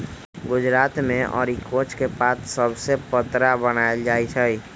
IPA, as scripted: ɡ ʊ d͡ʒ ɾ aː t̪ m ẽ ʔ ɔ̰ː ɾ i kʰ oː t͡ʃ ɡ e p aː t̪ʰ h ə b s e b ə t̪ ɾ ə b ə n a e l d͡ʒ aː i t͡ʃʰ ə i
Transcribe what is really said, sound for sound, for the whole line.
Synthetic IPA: ɡ ʊ d͡ʒ ɾ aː t̪ m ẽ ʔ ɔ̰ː ɾ i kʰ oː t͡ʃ k e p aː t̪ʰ s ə b s e p ə t̪ ɾ a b ə n a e l d͡ʒ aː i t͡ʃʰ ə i